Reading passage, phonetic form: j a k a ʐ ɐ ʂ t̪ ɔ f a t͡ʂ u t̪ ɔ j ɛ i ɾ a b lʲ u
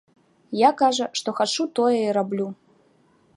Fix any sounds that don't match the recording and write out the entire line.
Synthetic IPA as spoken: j a k a ʐ ɐ ʂ t̪ ɔ x a t͡ʂ u t̪ ɔ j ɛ i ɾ a b lʲ u